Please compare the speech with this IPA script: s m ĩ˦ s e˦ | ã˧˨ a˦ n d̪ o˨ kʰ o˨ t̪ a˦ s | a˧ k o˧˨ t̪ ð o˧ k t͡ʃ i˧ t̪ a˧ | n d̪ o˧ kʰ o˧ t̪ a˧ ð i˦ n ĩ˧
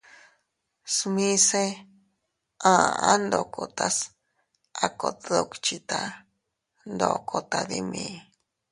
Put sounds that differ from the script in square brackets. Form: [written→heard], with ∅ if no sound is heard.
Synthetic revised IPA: s m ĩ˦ s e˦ | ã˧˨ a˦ n d̪ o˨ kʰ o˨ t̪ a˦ s | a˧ k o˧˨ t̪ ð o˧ k t͡ʃ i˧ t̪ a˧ | n d̪ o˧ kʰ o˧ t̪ a˧ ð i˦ [n→m] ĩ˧